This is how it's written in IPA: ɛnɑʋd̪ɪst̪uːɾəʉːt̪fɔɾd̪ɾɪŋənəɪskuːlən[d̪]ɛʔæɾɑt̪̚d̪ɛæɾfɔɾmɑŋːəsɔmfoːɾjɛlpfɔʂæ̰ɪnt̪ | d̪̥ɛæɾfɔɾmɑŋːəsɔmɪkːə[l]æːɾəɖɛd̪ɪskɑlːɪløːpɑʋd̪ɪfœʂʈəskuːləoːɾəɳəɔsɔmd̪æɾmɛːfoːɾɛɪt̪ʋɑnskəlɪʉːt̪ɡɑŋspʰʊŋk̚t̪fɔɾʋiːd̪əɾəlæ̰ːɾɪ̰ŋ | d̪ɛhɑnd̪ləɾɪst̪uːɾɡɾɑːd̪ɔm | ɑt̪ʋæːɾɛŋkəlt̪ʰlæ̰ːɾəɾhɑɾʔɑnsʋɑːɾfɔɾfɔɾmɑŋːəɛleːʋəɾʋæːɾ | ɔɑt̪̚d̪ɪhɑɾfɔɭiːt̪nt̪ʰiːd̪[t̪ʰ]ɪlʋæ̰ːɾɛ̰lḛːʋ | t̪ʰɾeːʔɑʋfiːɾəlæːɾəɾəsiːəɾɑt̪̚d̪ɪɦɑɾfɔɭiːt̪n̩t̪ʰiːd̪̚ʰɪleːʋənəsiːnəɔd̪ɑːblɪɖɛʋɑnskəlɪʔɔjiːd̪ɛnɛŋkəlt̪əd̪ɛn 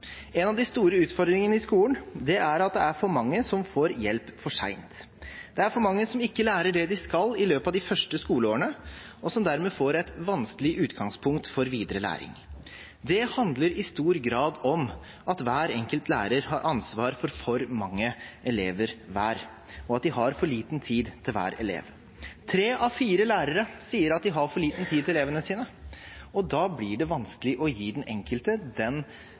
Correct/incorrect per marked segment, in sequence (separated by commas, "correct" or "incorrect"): correct, correct, correct